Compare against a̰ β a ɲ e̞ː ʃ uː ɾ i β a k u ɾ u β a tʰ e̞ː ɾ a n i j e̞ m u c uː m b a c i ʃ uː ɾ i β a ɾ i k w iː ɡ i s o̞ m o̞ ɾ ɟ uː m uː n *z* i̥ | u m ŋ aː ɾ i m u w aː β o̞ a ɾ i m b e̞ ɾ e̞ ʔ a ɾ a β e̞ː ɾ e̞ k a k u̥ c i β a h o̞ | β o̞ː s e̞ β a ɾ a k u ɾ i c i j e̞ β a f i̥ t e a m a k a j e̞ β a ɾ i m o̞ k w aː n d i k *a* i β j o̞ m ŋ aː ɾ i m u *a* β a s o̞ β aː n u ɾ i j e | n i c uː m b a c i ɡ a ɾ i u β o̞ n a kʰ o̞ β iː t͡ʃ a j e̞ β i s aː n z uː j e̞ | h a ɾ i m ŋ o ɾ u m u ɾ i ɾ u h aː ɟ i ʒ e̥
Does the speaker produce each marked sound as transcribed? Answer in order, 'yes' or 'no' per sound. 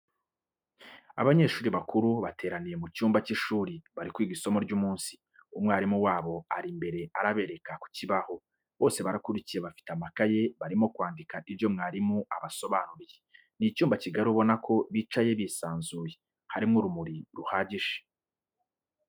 no, yes, yes

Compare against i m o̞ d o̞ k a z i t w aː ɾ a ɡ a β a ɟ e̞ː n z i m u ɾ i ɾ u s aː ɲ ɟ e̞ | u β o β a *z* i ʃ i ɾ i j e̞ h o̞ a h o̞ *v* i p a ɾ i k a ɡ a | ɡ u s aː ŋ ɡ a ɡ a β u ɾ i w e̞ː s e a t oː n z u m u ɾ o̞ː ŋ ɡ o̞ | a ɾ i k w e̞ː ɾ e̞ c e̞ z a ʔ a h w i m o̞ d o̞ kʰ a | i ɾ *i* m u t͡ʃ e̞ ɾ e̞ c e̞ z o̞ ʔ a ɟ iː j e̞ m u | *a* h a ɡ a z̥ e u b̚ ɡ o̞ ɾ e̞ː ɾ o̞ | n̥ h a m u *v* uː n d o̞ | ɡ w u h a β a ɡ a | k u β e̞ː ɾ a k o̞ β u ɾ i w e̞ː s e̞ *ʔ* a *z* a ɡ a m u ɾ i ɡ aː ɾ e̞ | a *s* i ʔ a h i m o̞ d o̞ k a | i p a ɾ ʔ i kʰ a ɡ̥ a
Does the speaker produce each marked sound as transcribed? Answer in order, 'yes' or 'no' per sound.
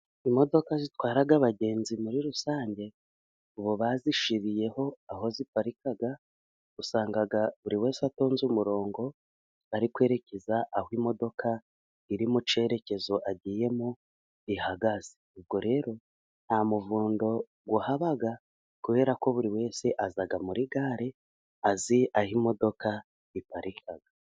yes, no, yes, no, yes, yes, yes, no

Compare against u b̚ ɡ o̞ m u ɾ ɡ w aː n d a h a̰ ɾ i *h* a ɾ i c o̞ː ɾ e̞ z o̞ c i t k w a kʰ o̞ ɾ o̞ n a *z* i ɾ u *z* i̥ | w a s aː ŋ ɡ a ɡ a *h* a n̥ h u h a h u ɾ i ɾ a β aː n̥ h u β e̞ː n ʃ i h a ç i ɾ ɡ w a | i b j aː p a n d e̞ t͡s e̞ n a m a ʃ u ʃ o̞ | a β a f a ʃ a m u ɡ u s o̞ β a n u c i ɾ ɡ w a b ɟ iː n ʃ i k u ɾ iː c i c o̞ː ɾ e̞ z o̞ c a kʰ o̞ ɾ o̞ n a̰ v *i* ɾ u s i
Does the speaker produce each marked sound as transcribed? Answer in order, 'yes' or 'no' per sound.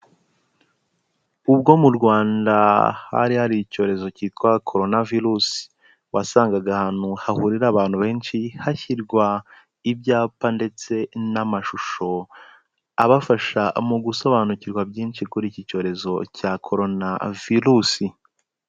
yes, no, no, yes, yes

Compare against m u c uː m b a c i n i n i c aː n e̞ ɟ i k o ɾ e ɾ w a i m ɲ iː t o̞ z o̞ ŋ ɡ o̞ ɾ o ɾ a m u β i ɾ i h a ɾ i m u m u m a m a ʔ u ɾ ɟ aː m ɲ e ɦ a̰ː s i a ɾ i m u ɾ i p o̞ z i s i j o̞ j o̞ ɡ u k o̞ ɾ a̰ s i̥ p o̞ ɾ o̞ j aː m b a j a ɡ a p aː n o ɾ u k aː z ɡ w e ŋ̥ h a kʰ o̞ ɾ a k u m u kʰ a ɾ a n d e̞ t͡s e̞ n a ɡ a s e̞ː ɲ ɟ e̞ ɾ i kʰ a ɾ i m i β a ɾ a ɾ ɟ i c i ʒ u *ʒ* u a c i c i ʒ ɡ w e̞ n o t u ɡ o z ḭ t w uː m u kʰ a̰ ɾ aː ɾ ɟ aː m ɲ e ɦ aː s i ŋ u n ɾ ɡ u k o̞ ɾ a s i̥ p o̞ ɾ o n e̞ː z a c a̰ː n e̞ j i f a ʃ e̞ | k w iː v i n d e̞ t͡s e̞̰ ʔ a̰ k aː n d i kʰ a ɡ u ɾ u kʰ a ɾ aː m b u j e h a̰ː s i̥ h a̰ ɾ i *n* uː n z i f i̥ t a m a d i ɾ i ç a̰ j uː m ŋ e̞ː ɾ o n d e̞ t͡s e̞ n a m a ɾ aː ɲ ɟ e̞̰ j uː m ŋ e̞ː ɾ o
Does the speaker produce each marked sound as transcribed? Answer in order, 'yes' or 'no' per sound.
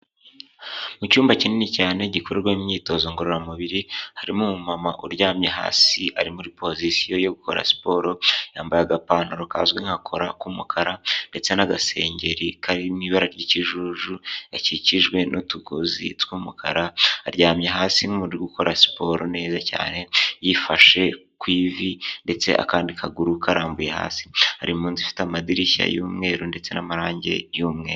yes, no

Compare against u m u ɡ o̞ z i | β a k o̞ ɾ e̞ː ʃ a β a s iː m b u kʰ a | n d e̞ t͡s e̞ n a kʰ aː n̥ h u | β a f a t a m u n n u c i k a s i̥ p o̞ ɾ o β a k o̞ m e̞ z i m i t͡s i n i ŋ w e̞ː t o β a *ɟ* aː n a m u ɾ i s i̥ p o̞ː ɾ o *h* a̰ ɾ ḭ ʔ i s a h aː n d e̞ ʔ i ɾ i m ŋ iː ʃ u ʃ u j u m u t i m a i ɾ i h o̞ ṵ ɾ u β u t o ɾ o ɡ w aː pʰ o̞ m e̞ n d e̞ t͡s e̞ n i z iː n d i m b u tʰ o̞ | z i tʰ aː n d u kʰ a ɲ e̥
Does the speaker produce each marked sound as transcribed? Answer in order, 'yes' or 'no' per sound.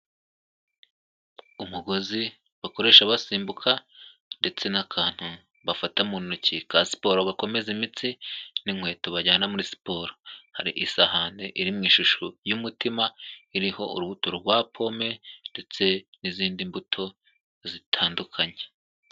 yes, yes

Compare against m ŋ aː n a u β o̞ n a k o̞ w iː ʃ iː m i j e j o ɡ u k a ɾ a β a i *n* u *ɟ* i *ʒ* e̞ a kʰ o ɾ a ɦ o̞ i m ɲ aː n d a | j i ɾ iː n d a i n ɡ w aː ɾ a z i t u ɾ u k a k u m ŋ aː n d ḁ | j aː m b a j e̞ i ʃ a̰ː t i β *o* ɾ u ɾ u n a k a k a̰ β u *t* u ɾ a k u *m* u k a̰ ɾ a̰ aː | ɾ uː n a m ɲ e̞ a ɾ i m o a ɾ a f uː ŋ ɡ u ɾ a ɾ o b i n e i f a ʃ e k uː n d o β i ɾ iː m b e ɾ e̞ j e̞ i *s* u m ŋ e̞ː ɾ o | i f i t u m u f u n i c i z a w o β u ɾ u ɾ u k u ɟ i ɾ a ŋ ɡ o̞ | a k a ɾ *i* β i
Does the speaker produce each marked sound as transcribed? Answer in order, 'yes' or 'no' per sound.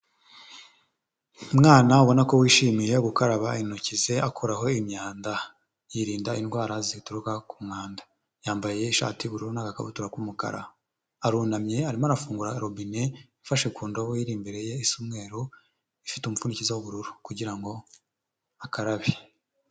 yes, no, no, no, yes, yes, yes, no

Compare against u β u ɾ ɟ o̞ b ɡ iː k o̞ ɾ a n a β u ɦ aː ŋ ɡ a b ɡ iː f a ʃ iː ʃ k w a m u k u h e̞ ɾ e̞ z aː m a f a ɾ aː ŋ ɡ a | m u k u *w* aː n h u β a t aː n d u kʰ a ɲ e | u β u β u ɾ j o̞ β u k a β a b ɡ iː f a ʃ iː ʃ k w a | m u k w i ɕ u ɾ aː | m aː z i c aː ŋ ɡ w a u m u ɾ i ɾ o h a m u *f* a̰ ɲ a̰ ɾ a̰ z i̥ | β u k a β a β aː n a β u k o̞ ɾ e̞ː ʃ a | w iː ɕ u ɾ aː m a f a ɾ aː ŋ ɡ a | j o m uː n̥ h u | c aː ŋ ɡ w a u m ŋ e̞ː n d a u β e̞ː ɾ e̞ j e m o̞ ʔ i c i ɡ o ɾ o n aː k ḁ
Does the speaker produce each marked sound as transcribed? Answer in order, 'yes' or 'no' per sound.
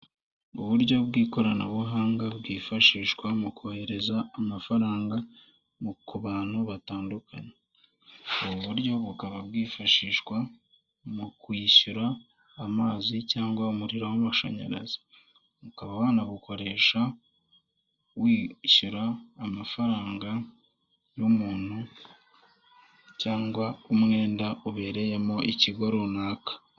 no, no

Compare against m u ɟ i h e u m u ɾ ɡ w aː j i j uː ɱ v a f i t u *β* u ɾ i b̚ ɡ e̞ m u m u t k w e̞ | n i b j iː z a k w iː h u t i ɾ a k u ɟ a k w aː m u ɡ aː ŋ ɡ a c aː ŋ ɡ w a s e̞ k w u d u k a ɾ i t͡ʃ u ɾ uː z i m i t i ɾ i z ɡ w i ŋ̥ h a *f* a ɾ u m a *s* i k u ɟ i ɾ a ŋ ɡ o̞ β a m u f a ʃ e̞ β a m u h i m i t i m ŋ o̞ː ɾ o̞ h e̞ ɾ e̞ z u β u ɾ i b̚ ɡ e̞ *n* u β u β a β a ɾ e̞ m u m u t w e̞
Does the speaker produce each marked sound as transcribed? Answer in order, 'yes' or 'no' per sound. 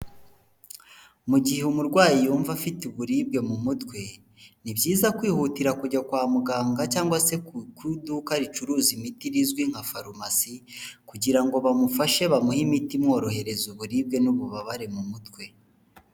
yes, yes, yes, yes

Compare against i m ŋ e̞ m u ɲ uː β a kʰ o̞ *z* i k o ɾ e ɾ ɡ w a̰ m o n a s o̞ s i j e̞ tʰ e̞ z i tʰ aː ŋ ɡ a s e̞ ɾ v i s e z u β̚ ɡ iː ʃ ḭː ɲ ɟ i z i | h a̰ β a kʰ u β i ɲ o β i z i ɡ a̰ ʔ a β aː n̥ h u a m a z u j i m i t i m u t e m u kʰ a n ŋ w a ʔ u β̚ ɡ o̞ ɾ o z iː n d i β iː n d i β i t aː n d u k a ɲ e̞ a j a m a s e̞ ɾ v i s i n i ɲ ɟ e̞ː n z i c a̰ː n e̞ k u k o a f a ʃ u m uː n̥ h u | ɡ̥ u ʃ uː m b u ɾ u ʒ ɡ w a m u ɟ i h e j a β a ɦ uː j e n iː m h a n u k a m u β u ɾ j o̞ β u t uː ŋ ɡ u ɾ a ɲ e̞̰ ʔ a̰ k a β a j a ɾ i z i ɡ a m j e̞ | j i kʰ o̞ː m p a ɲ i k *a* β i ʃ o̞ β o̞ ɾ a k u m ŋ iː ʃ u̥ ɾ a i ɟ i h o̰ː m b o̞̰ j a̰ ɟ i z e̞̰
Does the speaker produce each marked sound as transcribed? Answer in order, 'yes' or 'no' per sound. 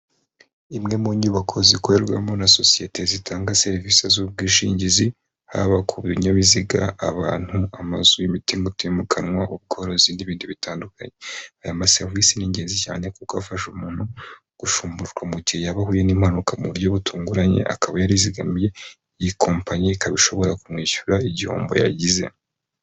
yes, yes

